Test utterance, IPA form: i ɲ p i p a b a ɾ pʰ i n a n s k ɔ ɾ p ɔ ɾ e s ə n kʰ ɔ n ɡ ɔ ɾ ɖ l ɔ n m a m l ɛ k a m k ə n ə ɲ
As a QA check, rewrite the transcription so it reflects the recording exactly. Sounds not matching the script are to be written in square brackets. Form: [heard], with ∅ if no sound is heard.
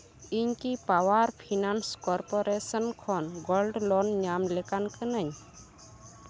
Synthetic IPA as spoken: i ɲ [k] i p a [w] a ɾ pʰ i n a n s k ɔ ɾ p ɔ ɾ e s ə n kʰ ɔ n ɡ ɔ [l] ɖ l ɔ n [ɲ] a m l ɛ k a [n] k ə n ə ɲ